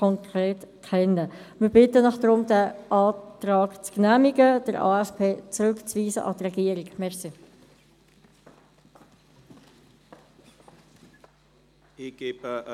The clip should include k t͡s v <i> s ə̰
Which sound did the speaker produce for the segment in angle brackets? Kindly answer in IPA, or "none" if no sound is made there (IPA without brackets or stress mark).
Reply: iː